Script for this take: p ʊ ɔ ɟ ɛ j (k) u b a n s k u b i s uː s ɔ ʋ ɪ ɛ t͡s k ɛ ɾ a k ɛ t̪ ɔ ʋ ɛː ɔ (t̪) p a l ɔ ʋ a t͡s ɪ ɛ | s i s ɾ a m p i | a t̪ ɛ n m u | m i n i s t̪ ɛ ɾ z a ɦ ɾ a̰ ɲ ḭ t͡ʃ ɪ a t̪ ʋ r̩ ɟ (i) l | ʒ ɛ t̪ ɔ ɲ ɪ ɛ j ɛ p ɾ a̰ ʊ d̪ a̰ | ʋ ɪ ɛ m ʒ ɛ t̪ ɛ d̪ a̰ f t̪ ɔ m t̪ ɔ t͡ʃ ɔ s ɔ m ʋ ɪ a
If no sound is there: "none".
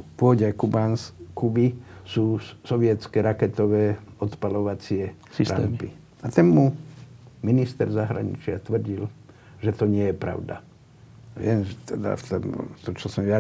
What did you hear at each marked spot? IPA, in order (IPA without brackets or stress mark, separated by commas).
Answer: k, t̪, i